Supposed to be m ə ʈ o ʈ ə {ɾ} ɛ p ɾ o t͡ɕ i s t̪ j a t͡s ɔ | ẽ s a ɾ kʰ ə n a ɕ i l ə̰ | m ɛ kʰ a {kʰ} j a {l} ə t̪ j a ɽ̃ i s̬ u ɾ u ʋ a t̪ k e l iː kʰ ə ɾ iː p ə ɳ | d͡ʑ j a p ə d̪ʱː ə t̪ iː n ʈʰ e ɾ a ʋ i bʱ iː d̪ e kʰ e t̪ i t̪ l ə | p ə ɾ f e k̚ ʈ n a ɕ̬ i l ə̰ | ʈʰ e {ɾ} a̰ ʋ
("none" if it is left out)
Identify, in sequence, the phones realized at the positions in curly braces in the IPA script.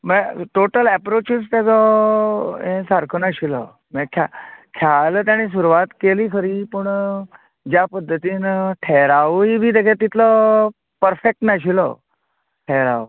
l, kʰ, l, ɾ

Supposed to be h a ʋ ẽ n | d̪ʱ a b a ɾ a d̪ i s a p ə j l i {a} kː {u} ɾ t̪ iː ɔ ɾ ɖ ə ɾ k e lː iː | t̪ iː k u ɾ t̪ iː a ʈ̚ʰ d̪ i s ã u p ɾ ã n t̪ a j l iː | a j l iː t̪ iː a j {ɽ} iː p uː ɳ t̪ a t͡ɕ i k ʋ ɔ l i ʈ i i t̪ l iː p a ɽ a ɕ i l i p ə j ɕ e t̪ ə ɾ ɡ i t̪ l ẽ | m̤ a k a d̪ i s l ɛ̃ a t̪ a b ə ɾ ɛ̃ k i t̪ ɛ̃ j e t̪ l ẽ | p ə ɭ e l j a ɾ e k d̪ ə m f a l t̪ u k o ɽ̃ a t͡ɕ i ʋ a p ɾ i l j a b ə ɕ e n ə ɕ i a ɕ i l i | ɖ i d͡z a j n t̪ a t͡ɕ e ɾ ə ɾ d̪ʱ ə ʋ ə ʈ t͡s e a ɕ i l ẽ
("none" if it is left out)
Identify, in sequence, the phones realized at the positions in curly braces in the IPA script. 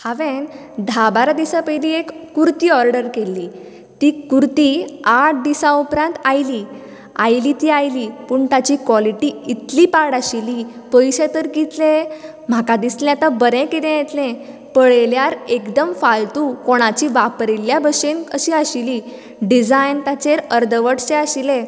e, u, l

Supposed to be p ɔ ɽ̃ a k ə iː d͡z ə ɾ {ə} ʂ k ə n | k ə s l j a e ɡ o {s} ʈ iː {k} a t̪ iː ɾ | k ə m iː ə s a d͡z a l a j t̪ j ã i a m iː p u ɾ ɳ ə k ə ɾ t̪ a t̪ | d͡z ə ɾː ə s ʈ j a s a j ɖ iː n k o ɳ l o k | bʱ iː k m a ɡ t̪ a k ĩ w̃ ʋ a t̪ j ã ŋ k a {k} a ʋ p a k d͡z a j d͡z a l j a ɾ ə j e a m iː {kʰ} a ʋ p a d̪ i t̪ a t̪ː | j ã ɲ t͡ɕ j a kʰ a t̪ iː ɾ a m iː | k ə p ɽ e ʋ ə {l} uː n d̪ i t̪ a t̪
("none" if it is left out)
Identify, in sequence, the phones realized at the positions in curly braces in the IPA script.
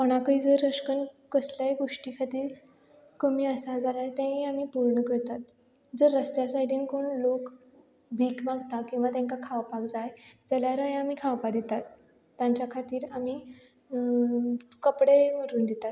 ə, ʂ, kʰ, kʰ, kʰ, ɾ

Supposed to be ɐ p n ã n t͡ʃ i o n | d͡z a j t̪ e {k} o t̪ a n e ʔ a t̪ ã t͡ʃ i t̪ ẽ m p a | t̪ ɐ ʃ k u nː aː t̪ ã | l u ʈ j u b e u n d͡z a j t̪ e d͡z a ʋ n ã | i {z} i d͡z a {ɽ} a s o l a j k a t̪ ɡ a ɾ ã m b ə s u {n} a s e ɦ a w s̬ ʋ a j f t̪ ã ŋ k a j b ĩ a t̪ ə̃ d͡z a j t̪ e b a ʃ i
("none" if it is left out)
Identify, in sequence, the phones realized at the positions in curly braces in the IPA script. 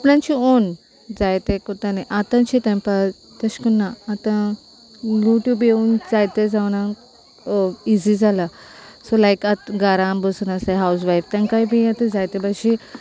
k, z, l, n

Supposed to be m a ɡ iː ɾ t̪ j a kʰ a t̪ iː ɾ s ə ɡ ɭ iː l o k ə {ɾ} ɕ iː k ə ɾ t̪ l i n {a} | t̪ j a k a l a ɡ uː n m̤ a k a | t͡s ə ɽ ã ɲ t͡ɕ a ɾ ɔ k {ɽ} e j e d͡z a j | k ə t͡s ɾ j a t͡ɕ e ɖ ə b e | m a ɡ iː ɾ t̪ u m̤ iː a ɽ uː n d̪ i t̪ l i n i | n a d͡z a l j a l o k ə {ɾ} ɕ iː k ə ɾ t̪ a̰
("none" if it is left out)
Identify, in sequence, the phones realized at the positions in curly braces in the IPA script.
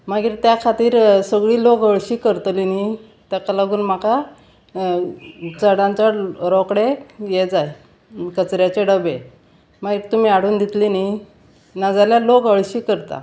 ɭ, i, ɽ, ɭ

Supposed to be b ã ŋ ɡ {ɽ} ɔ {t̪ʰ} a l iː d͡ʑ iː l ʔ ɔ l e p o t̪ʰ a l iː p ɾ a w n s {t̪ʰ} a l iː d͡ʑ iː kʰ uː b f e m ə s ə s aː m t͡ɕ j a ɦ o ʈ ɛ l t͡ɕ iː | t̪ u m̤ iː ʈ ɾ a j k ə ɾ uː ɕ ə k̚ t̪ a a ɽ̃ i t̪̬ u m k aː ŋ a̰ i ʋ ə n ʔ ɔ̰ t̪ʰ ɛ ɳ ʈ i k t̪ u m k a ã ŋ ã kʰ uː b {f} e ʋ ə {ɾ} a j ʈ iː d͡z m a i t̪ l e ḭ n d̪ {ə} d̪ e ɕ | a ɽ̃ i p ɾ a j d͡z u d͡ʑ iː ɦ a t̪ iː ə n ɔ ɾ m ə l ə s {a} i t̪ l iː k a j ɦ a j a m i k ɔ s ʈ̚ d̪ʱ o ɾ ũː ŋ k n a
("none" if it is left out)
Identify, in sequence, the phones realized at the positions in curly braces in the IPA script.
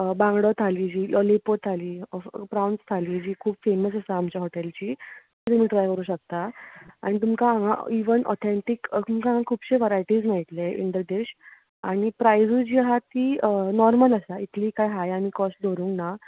ɽ, t̪ʰ, t̪ʰ, ɕ, ɾ, ə, a

